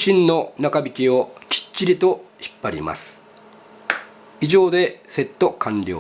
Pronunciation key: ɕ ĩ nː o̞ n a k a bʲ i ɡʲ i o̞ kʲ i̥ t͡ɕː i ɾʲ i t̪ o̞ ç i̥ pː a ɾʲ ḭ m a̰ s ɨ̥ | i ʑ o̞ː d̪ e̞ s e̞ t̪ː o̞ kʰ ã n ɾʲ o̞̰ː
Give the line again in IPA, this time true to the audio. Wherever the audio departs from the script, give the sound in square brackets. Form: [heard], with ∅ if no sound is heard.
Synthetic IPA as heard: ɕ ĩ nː o̞ n a k a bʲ i [kʲ] i o̞ kʲ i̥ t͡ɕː i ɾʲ i t̪ o̞ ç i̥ pː a ɾʲ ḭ m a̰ s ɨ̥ | i ʑ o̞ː d̪ e̞ s e̞ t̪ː o̞ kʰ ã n ɾʲ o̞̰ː